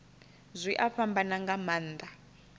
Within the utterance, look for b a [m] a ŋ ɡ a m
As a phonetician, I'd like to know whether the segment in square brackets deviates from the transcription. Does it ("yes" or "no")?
yes